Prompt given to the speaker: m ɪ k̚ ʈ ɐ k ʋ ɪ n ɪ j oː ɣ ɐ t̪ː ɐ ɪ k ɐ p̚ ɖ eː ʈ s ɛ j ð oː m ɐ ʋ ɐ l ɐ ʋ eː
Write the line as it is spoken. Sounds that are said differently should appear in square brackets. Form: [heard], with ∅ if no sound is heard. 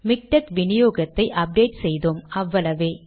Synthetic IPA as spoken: m ɪ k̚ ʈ ɐ k ʋ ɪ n ɪ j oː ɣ ɐ t̪ː ɐ ɪ [ʔ] ɐ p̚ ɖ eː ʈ s ɛ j ð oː m ɐ [ʋː] ɐ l ɐ ʋ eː